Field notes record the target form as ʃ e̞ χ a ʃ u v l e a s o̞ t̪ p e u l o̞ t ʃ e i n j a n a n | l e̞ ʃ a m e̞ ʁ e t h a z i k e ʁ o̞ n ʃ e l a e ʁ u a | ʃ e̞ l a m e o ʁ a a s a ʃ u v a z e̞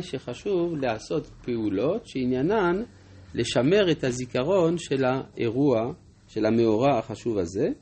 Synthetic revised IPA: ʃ e̞ χ a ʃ u v l e a s o̞ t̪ p e u l o̞ t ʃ e i n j a n a n | l e̞ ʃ a m e̞ ʁ e t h a z i k a ʁ o̞ n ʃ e l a e ʁ u a | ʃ e̞ l a m e o ʁ a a χ a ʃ u v a z e̞